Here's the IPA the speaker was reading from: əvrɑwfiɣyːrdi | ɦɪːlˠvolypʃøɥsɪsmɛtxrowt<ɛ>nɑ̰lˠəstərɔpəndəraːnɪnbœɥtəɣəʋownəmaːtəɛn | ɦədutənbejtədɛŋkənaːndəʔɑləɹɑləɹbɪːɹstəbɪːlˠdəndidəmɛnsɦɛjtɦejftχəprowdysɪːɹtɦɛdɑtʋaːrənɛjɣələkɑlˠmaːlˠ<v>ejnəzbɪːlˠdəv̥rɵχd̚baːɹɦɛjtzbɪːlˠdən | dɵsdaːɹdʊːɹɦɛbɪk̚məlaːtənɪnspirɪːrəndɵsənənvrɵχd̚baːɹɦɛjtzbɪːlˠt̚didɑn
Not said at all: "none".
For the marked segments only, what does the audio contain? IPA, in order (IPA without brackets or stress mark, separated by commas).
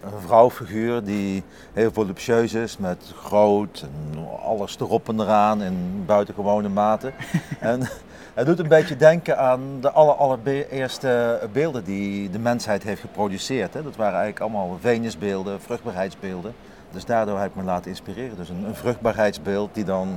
ɛ, v